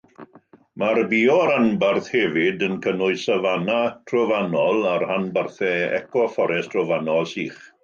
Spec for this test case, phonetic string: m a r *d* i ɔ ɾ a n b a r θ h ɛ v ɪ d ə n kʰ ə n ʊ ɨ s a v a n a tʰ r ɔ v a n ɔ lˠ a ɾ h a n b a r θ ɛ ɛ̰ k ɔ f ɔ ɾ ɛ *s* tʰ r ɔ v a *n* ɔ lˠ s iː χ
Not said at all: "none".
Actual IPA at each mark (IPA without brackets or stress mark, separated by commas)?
b, s, n